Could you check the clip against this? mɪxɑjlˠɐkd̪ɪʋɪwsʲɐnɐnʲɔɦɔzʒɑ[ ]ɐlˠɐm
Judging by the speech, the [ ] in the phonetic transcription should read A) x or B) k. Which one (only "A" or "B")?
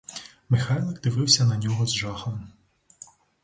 A